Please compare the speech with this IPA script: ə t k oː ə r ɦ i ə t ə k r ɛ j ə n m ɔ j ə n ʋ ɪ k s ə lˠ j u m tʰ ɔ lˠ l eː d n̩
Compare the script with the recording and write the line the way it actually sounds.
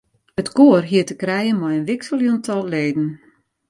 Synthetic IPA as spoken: ə t k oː ə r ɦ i ə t ə k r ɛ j ə n m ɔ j ə n ʋ ɪ k s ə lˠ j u n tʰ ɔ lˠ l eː d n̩